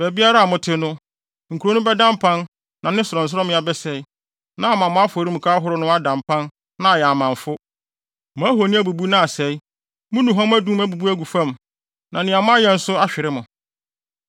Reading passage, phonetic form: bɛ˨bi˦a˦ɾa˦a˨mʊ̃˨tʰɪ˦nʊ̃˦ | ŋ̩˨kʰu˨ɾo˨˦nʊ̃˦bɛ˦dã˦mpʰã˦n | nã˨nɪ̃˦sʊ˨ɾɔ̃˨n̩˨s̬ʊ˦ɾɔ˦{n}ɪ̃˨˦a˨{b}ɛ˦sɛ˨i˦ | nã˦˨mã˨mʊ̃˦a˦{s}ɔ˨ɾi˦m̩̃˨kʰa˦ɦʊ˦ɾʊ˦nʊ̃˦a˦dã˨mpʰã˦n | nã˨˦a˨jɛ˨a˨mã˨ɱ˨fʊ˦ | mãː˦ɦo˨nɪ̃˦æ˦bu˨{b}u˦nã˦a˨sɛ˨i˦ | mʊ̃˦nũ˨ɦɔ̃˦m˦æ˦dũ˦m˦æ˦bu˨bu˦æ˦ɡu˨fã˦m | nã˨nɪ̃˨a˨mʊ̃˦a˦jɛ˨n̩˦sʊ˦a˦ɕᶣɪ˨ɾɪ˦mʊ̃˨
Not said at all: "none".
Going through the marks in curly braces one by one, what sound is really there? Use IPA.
m, b, f, b

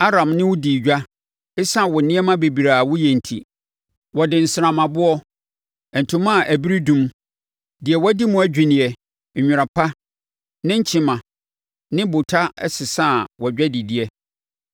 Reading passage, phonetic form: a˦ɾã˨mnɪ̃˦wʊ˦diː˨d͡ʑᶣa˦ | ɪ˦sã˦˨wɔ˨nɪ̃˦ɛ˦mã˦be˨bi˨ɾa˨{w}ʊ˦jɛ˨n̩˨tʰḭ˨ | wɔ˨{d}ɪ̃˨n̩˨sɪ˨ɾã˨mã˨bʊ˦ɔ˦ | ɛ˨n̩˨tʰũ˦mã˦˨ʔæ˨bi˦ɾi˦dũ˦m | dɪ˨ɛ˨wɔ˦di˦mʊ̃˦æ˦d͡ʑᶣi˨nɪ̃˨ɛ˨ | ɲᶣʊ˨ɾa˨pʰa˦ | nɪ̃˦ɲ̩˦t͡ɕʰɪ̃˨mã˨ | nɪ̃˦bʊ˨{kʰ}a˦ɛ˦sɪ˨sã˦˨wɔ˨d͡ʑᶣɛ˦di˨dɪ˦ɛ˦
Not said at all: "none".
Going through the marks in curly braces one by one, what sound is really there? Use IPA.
w, d, tʰ

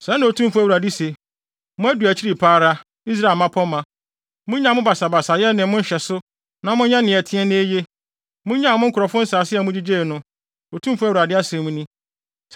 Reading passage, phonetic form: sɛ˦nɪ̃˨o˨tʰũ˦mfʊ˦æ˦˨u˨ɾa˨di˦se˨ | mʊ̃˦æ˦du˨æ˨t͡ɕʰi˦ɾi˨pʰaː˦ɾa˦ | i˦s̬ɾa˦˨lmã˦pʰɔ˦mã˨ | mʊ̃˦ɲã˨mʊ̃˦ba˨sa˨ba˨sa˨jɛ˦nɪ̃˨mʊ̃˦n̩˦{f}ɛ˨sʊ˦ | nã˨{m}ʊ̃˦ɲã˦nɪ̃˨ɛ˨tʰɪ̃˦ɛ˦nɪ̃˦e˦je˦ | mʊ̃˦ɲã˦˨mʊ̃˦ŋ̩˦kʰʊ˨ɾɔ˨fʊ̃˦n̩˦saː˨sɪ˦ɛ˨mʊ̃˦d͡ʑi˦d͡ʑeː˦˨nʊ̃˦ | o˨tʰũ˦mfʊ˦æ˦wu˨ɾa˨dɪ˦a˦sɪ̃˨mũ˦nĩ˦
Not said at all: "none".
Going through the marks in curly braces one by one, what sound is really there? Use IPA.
ɕ, m

